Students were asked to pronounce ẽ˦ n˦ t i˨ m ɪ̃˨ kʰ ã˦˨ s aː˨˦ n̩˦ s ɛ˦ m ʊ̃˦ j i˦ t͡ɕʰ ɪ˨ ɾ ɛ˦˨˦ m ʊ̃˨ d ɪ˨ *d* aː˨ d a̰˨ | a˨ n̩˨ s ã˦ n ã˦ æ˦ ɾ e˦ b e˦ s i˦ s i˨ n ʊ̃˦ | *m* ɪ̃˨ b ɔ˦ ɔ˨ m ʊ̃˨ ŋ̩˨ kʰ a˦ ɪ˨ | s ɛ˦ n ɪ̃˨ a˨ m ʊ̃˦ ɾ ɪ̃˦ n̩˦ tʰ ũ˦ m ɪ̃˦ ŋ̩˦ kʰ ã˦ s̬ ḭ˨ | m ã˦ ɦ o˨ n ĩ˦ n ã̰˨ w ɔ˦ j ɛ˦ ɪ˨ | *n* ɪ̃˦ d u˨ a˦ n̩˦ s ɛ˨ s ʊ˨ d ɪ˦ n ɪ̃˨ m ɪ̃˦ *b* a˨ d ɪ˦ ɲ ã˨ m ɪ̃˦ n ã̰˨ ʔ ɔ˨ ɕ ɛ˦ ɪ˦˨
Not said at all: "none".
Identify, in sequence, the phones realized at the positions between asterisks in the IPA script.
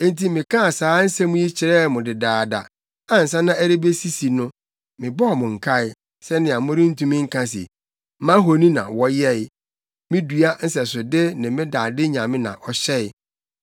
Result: d, m, m, d

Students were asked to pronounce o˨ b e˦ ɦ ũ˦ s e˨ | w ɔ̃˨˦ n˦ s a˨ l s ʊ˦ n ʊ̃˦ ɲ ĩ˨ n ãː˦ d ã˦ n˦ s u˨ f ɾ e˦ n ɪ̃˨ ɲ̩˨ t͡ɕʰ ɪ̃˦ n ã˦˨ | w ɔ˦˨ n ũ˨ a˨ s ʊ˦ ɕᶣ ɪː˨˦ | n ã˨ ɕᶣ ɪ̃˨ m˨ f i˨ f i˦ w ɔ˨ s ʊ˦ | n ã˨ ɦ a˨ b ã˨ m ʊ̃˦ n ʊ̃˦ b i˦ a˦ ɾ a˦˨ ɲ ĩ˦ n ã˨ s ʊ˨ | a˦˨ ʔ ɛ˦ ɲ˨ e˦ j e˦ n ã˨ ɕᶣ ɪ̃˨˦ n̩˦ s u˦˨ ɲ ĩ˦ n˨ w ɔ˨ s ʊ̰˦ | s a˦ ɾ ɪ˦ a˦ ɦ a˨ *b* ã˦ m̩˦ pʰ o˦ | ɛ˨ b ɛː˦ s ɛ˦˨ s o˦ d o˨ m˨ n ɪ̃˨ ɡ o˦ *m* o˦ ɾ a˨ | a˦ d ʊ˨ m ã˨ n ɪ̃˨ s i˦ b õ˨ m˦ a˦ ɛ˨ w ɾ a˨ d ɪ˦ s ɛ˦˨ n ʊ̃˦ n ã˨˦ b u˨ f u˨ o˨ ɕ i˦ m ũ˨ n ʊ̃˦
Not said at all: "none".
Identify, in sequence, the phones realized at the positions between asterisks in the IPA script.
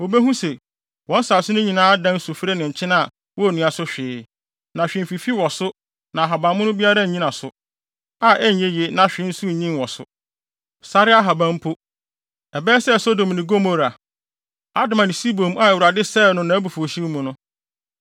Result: b, m

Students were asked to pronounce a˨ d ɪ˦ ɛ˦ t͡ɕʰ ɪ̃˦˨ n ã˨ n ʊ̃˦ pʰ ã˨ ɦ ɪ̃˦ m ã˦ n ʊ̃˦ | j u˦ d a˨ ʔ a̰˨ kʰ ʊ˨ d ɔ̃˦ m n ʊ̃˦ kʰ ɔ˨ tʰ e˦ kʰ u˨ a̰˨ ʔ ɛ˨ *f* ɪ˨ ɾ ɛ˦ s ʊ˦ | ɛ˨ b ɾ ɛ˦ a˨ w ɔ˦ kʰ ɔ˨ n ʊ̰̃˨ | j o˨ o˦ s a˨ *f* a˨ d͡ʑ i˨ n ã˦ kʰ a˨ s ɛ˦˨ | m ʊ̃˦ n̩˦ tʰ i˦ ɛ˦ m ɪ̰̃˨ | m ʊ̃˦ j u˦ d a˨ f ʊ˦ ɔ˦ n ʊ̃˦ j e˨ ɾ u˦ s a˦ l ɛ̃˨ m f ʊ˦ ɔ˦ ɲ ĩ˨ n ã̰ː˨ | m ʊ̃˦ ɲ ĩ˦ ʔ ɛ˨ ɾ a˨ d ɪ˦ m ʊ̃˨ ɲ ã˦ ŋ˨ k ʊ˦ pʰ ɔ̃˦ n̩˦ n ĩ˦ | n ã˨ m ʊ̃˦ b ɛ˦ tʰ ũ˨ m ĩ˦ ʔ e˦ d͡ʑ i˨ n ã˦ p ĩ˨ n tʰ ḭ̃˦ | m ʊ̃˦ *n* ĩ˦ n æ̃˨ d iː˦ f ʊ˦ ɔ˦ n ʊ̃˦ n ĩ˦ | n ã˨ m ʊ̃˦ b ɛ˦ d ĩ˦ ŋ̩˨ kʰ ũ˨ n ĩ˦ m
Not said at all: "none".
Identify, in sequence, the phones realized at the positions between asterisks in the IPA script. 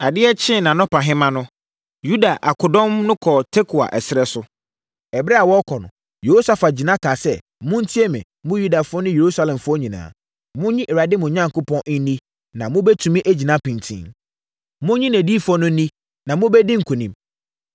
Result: s, f, ɲ

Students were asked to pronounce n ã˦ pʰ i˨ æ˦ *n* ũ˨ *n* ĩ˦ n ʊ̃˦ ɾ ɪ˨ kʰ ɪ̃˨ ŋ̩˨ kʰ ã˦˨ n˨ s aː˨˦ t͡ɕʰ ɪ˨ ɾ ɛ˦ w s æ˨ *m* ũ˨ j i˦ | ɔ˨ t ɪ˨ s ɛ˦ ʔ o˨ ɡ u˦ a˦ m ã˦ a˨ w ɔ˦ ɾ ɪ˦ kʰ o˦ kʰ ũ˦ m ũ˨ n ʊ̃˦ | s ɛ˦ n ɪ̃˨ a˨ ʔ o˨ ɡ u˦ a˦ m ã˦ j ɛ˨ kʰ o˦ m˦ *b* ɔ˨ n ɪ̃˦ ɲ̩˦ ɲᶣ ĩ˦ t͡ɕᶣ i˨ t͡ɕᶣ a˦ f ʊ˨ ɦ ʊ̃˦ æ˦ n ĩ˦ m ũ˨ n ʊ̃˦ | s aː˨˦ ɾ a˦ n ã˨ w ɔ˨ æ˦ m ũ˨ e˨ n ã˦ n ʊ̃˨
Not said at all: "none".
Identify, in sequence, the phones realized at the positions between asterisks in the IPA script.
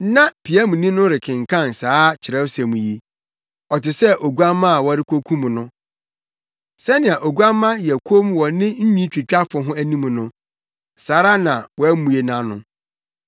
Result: m, n, m, w

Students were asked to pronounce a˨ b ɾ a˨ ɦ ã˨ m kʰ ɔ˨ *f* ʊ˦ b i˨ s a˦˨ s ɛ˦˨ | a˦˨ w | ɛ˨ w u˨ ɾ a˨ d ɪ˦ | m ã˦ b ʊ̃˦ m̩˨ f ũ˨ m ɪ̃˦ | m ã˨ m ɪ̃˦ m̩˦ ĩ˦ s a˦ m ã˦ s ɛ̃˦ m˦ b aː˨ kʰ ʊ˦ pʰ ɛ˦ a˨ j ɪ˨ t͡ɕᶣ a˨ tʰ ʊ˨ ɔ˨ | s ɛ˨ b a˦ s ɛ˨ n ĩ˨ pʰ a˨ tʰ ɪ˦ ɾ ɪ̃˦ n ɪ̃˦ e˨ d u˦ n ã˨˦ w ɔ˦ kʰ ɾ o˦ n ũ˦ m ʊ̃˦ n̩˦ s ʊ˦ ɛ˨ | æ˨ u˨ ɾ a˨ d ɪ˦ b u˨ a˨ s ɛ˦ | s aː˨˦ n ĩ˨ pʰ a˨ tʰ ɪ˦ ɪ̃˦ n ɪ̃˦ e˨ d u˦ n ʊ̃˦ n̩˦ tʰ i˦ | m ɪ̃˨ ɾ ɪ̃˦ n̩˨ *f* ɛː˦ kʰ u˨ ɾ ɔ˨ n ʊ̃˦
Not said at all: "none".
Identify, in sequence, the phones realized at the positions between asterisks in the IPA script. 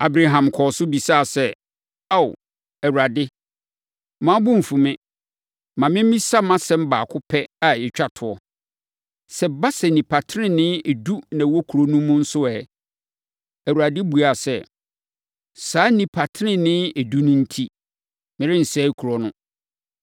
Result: s, s

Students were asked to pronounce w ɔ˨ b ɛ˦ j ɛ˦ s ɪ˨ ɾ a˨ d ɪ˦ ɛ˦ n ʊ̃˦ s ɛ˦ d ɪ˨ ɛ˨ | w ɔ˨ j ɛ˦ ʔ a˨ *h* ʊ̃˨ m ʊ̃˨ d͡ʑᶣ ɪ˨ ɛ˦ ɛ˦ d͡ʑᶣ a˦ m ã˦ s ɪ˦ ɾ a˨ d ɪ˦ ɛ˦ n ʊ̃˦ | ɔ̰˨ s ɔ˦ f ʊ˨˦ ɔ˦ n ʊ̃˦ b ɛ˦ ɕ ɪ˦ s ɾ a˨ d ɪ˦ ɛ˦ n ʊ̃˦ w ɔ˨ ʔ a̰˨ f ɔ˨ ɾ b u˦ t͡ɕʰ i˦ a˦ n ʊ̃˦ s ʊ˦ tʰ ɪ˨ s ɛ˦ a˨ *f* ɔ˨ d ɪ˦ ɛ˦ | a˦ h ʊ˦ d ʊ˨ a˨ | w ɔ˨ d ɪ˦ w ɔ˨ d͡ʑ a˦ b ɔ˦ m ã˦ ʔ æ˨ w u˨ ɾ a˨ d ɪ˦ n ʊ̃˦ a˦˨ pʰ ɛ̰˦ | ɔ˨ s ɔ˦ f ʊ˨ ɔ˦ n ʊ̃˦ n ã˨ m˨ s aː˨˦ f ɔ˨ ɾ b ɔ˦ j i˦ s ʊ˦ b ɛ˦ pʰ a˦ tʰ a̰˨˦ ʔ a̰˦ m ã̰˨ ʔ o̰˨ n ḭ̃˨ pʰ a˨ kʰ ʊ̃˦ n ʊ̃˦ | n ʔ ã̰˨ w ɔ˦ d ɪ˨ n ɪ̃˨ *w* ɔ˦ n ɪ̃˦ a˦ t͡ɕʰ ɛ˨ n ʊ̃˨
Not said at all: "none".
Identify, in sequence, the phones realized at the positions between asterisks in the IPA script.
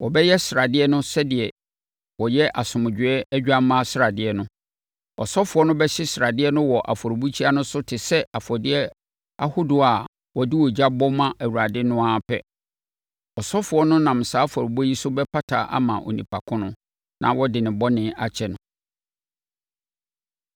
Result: s, f, b

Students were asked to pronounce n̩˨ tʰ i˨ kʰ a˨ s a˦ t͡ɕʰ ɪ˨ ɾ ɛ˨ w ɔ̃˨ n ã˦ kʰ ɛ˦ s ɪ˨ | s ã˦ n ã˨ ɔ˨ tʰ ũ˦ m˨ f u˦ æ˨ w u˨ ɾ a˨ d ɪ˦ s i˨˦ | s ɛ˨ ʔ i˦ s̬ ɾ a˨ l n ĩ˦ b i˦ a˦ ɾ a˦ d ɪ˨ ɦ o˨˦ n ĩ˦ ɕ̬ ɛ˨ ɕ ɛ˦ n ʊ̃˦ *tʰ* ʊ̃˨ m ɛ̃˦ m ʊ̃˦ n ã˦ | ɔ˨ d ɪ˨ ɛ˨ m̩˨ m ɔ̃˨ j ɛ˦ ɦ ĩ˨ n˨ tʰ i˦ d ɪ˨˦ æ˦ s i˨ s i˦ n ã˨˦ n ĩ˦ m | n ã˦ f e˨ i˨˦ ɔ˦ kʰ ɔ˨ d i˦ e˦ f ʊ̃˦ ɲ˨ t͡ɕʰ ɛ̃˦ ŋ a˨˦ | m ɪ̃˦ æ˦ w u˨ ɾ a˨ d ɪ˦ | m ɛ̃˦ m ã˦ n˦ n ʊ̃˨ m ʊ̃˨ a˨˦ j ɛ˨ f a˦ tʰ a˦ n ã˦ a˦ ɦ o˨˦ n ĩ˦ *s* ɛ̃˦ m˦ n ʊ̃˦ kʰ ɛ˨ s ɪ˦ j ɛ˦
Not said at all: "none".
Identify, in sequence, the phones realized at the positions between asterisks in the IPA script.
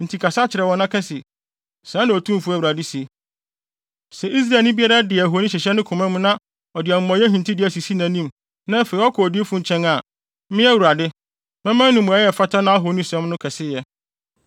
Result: kʰ, s

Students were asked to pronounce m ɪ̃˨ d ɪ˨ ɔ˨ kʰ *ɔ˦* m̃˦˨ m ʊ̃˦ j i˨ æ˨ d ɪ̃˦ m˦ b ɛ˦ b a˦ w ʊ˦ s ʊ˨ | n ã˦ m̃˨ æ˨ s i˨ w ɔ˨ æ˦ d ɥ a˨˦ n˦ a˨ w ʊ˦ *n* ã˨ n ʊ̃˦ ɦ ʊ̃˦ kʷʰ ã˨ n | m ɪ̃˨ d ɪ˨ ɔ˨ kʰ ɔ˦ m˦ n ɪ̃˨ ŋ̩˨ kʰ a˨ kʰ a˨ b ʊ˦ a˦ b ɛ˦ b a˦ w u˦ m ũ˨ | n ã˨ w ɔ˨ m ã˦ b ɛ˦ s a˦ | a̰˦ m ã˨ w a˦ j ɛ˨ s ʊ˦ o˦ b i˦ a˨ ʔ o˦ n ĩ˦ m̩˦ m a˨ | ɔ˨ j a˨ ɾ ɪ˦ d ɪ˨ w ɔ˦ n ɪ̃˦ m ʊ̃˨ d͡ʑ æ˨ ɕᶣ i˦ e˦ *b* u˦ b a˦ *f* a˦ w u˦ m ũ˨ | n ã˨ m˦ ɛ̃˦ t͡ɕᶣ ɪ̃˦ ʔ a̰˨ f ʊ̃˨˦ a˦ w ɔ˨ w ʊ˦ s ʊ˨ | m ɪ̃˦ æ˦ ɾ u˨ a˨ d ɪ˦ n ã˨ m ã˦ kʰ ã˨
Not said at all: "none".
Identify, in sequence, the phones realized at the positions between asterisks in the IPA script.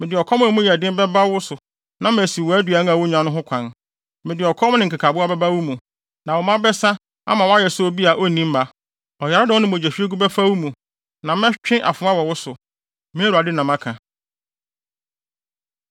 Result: ɔ˦, ɲ, ɡ, f

